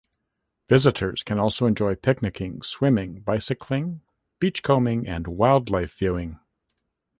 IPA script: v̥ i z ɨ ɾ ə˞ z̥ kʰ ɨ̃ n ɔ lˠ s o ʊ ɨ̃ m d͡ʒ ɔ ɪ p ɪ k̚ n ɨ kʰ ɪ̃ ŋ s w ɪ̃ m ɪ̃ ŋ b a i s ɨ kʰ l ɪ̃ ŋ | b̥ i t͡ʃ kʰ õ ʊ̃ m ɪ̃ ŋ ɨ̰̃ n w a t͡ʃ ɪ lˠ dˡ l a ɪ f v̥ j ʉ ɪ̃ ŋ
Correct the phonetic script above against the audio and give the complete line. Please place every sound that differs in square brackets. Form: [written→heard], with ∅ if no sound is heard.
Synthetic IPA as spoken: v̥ [i→ɪ] z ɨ ɾ ə˞ z̥ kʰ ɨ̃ n ɔ lˠ s o ʊ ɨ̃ [m→n] d͡ʒ ɔ ɪ [p→pʰ] ɪ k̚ n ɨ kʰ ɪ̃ ŋ s w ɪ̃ m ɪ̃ ŋ b a [i→ɪ] s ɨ kʰ l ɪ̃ ŋ | b̥ i t͡ʃ kʰ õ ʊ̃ m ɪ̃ ŋ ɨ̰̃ n w a [t͡ʃ→∅] ɪ lˠ dˡ l a ɪ f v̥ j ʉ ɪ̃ ŋ